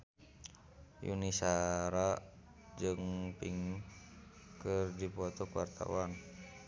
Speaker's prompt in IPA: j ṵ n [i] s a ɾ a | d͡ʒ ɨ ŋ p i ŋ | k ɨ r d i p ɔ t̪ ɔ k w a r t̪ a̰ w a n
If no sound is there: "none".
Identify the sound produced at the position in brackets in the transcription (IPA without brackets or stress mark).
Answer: i